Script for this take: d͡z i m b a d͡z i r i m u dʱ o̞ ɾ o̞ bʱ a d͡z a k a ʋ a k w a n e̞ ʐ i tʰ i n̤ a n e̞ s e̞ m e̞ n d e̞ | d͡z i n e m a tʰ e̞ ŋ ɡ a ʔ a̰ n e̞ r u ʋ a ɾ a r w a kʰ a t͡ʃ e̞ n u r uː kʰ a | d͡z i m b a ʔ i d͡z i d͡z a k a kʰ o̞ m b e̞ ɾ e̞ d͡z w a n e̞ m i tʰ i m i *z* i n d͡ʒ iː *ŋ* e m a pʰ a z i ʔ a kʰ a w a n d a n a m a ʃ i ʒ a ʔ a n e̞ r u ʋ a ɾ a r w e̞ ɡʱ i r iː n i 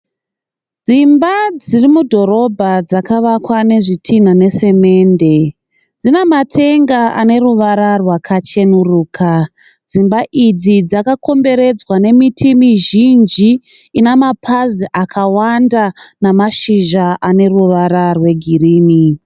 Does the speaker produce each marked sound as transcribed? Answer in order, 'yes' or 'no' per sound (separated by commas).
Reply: no, no